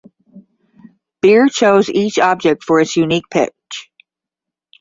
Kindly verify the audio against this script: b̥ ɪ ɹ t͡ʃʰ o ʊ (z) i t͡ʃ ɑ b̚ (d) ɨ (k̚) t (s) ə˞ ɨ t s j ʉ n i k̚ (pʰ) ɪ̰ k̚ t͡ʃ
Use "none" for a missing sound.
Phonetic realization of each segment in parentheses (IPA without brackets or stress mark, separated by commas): z, d͡ʒ, k̚, f, pʰ